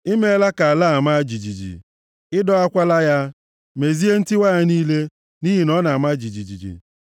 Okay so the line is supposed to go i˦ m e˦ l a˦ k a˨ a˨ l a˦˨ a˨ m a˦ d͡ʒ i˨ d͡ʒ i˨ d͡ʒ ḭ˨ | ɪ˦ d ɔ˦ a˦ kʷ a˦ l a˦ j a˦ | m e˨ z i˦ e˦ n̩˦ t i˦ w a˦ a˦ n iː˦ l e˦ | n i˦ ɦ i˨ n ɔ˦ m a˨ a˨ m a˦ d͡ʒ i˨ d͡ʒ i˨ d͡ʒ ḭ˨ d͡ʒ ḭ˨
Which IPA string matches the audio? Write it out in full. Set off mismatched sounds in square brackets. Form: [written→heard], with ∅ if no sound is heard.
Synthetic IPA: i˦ m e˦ l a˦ k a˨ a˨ l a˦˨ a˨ m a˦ d͡ʒ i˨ d͡ʒ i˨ d͡ʒ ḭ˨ | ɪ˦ d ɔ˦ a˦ kʷ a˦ l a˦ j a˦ | m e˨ z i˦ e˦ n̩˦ t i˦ w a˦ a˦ n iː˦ l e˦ | n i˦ ɦ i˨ n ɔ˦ [m→n] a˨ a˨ m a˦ d͡ʒ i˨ d͡ʒ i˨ d͡ʒ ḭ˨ d͡ʒ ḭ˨